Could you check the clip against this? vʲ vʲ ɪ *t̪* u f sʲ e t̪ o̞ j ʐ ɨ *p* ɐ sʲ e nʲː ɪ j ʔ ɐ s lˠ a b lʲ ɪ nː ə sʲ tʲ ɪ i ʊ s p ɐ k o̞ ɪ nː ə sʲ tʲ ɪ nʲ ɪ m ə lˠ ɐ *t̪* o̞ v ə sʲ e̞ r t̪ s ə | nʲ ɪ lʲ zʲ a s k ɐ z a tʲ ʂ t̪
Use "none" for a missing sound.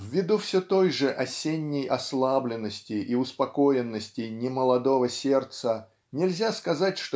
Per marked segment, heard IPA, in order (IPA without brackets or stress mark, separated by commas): d̪, ʔ, d̪